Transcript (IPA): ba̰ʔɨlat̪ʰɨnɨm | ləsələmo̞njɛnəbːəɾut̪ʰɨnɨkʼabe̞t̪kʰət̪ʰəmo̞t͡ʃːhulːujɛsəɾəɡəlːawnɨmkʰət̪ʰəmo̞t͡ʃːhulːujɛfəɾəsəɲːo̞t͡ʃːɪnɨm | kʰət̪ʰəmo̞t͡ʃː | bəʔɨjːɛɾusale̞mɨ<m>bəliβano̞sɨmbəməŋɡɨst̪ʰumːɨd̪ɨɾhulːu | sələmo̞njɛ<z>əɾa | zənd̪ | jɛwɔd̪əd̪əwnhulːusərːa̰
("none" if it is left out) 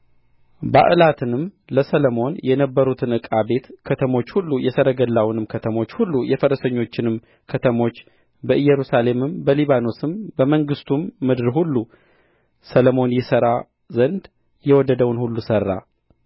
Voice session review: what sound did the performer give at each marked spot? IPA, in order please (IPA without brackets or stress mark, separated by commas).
m, s